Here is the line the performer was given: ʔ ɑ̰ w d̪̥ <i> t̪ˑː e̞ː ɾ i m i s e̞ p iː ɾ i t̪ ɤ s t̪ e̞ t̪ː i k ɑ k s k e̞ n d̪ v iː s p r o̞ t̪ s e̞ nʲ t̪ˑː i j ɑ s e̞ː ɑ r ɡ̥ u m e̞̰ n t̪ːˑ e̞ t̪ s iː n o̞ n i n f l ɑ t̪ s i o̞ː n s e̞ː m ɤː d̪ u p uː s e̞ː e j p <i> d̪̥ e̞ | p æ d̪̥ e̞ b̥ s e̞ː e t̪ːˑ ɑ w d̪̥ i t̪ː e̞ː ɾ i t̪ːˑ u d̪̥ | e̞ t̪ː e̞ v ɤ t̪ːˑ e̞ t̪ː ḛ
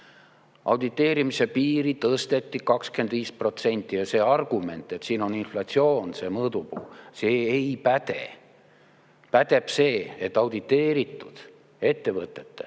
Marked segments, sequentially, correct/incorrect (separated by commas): correct, incorrect